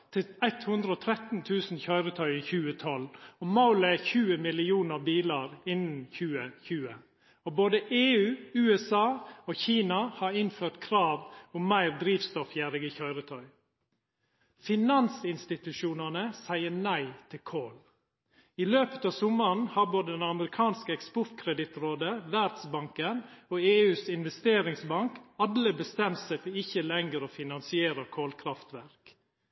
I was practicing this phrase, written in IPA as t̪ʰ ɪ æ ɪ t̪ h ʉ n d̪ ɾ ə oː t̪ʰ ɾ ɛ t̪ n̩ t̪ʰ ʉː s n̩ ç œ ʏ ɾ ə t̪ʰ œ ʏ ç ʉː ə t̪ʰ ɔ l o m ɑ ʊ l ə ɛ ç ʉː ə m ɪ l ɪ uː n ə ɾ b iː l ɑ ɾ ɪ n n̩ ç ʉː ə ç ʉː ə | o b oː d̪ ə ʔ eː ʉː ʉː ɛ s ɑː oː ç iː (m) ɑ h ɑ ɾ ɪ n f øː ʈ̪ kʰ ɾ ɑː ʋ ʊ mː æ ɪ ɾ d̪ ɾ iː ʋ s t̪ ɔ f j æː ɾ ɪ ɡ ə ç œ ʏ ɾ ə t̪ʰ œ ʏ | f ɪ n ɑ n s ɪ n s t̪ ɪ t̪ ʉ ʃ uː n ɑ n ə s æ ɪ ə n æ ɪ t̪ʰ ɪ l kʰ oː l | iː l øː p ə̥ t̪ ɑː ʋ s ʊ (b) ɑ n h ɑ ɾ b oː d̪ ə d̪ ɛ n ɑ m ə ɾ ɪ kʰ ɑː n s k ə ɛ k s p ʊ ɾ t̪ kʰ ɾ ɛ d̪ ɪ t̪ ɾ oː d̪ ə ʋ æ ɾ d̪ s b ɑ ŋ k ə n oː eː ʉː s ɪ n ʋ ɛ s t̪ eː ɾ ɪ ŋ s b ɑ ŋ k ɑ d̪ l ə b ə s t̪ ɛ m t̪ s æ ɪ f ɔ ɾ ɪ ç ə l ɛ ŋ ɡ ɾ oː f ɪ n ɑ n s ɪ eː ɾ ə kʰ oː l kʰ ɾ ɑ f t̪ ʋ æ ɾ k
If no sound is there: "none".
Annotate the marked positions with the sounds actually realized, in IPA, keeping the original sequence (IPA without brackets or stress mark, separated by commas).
n, m